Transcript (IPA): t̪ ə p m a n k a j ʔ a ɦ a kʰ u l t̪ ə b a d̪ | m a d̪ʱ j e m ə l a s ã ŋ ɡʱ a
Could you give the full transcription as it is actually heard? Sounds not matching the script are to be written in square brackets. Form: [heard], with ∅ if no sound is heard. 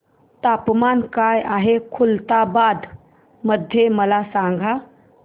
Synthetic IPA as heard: t̪ [a] p m a n k a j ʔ a ɦ [e] kʰ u l t̪ [a] b a d̪ | m [ə] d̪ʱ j e m ə l a s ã ŋ ɡʱ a